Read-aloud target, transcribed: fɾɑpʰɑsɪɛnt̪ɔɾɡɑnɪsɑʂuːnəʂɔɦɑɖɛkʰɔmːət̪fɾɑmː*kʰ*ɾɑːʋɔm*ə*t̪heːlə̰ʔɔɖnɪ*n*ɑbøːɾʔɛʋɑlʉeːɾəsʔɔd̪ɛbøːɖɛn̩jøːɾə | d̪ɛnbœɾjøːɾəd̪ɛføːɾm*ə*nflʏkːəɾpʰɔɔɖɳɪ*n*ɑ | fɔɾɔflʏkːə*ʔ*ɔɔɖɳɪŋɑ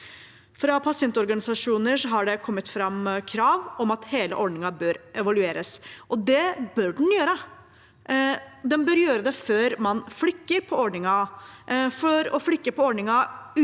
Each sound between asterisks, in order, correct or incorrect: correct, incorrect: ɑ, incorrect: ŋ, incorrect: ɑ, incorrect: ŋ, incorrect: p

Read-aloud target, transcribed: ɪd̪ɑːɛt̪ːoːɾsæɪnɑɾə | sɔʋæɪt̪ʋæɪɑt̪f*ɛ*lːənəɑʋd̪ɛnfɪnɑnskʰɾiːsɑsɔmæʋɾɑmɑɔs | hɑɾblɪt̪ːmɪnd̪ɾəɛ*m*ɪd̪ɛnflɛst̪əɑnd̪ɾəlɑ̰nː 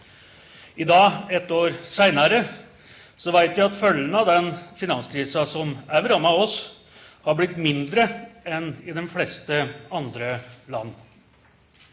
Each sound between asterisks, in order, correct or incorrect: incorrect: œ, incorrect: n

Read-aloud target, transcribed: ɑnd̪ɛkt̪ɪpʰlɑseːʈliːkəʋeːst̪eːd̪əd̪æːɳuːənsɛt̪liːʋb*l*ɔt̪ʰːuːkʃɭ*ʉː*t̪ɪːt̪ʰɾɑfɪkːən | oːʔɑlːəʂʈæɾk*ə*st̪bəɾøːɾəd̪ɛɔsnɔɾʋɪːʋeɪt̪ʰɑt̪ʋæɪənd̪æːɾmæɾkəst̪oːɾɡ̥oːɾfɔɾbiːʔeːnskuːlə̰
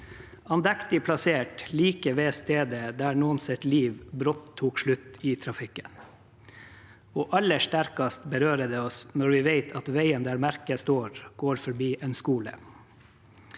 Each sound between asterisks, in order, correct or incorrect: incorrect: ɾ, incorrect: ʉ, incorrect: ɑ

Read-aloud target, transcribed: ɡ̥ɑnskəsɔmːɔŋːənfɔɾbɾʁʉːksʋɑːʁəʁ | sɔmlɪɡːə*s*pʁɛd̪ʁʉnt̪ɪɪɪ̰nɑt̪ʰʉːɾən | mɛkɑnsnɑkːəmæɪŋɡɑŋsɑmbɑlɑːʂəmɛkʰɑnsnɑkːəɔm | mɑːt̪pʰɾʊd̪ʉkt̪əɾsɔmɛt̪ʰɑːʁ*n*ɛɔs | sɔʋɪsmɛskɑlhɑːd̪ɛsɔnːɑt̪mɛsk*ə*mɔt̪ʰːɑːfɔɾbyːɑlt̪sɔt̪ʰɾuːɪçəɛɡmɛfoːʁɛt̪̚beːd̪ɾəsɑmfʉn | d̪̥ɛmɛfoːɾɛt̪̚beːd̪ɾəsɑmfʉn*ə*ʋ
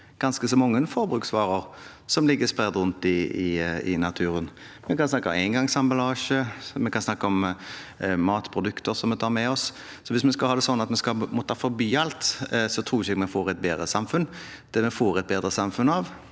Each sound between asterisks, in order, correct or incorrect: correct, incorrect: m, incorrect: ɑ, incorrect: ɑ

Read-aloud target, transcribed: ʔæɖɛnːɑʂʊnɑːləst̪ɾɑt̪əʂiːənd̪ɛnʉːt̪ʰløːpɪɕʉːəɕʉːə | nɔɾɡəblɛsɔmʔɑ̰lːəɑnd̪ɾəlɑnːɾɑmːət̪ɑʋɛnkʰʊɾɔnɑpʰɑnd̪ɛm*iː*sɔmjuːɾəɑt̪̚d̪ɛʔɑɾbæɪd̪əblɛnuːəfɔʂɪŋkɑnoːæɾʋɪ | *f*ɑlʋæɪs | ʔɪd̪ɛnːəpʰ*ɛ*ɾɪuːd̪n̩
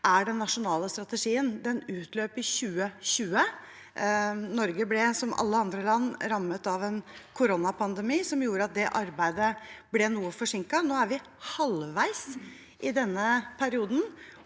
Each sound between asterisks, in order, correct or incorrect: correct, incorrect: h, incorrect: æ

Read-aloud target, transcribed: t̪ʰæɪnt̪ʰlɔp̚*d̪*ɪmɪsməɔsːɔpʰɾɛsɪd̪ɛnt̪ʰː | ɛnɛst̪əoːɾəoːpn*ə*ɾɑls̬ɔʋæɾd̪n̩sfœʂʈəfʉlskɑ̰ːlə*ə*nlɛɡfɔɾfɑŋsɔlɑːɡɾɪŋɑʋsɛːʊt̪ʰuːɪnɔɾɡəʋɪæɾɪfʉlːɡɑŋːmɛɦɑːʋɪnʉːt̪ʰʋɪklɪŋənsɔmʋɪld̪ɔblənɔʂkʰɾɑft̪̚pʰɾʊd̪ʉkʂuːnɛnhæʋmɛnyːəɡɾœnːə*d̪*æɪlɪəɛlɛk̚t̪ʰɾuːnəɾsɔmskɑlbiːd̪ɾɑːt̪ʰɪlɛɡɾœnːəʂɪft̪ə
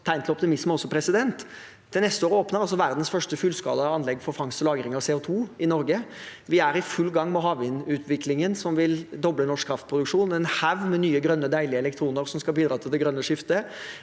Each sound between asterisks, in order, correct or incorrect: incorrect: t̪, correct, incorrect: ɑ, correct

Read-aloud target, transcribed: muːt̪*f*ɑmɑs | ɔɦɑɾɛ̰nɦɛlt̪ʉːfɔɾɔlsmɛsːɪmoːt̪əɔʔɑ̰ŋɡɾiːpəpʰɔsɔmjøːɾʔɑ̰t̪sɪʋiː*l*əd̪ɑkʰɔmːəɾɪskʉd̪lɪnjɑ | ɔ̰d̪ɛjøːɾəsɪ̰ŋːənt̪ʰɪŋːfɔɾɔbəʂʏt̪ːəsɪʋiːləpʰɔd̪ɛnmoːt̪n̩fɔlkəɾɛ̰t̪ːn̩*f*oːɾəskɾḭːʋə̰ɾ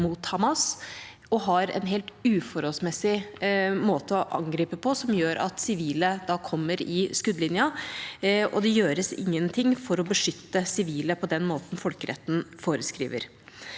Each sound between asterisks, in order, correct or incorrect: incorrect: h, correct, correct

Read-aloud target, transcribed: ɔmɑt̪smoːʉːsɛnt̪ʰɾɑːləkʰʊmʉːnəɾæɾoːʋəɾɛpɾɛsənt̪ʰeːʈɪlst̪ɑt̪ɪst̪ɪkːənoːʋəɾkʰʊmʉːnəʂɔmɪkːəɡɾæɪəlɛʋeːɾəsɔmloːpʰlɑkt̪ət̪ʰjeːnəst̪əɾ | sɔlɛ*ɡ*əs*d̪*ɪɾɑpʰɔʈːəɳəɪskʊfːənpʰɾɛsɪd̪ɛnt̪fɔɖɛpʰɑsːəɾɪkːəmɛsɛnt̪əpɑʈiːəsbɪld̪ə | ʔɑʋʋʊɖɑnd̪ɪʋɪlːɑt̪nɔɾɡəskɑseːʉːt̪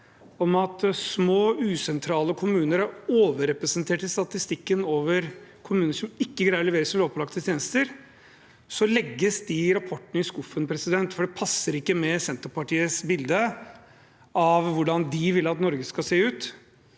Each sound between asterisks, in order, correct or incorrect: incorrect: ɡː, correct

